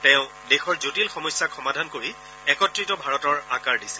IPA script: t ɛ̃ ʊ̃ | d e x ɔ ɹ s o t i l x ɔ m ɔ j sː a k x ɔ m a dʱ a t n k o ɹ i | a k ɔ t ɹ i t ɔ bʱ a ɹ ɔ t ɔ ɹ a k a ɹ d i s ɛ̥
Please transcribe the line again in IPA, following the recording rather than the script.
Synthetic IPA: t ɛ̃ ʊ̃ | d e x ɔ ɹ z o t i l x ɔ m ɔ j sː a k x ɔ m a dʱ a n k o ɹ i | ɛ k ɔ t ɹ i t ɔ bʱ a ɹ ɔ t ɔ ɹ a k a ɹ d i s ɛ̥